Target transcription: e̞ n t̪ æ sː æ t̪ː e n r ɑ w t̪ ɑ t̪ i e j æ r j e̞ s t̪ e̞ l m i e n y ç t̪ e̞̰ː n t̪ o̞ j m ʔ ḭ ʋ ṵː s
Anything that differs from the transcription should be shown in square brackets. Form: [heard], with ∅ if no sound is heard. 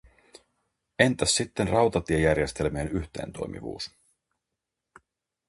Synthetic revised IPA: e̞ n t̪ æ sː [i] t̪ː e n r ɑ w t̪ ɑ t̪ i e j æ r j e̞ s t̪ e̞ l m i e n y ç t̪ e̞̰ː n t̪ o̞ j m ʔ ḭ ʋ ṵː s